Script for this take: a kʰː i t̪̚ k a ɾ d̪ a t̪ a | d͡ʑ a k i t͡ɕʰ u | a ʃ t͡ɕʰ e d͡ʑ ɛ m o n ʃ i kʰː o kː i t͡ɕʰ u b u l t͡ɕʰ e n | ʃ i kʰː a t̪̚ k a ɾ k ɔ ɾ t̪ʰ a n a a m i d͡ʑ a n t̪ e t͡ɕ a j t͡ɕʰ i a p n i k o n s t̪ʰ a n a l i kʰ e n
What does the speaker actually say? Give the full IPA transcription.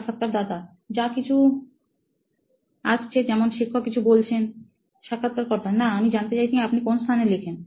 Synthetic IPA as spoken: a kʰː a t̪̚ k a ɾ d̪ a t̪ a | d͡ʑ a k i t͡ɕʰ u | a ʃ t͡ɕʰ e d͡ʑ ɛ m o n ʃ i kʰː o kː i t͡ɕʰ u b o l t͡ɕʰ e n | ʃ a kʰː a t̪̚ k a ɾ k ɔ ɾ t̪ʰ a n a a m i d͡ʑ a n t̪ e t͡ɕ a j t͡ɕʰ i a p n i k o n s t̪ʰ a n e l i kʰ e n